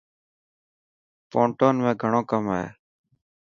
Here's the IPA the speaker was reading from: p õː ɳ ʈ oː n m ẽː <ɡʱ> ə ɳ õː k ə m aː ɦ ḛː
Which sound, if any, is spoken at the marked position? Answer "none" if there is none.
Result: ɡʱ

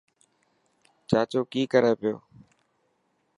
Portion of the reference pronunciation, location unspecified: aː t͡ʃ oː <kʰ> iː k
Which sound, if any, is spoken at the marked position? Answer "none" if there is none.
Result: k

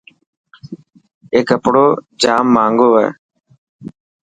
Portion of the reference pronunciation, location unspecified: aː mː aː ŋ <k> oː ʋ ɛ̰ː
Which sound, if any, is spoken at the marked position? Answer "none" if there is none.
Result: ɡ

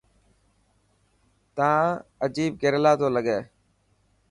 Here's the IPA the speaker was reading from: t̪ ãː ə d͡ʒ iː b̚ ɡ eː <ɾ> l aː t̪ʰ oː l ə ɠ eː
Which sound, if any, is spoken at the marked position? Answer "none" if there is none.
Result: ɾ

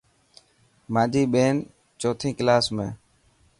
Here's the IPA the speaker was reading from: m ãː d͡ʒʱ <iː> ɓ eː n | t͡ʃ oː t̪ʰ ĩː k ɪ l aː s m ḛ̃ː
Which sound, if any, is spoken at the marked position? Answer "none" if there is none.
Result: iː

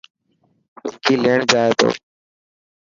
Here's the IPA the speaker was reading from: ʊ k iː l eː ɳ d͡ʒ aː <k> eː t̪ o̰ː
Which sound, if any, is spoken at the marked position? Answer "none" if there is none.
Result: none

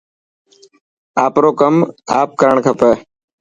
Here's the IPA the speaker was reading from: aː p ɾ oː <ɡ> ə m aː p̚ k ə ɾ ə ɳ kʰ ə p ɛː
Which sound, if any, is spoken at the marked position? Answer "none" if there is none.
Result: k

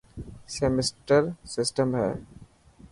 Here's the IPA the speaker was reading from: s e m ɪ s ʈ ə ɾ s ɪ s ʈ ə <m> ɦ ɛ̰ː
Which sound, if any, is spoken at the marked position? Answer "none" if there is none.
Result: m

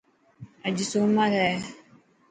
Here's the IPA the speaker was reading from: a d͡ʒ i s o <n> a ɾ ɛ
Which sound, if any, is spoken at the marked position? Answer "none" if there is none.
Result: m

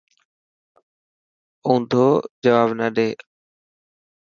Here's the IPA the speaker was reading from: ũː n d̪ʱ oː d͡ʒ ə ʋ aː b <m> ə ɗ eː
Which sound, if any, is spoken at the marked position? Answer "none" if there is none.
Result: n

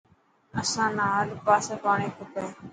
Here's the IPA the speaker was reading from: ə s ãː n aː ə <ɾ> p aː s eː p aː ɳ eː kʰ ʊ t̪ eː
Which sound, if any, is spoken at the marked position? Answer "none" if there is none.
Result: l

